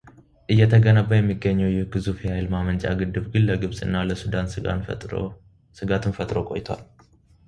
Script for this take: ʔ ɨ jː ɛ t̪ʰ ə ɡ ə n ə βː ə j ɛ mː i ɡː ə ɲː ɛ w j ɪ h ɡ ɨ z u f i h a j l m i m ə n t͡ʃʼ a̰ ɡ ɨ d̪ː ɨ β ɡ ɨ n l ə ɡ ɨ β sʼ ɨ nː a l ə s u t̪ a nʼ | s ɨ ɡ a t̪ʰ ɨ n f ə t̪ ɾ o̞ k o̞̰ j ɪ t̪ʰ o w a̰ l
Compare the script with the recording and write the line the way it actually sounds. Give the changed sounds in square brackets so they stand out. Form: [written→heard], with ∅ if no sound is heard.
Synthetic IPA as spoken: ʔ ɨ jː ɛ t̪ʰ ə ɡ ə n ə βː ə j ɛ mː i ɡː ə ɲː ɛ w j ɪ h ɡ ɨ z u f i h a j l m [i→a] m ə n t͡ʃʼ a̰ ɡ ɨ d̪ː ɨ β ɡ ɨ n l ə ɡ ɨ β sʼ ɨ nː a l ə s u [t̪→d̪] a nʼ | s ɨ ɡ a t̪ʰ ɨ n f ə [t̪→t̪ʼ] ɾ o̞ [k→kʼ] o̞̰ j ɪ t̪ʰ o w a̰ l